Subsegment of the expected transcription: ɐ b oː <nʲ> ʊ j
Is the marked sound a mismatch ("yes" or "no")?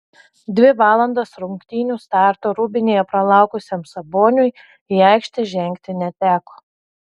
no